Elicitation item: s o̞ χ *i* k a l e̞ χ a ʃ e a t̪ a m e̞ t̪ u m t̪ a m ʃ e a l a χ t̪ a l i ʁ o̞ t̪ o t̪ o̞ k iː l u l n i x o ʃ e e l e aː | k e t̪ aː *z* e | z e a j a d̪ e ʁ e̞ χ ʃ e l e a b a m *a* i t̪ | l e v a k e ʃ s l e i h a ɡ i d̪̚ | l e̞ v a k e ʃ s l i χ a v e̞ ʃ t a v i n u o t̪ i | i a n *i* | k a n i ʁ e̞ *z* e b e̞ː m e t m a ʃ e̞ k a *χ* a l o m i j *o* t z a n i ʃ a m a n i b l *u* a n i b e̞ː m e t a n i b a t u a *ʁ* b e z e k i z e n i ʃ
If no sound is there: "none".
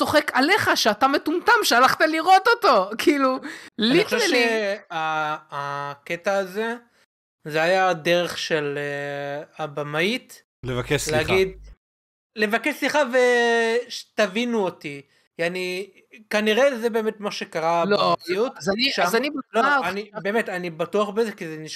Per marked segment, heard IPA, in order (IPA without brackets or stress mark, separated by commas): e, z, a, i, z, ʁ, u, o, χ